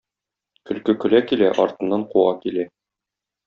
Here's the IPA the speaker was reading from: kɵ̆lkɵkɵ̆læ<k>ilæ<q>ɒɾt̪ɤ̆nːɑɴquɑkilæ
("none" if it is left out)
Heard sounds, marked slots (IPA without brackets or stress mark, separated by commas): k, ʔ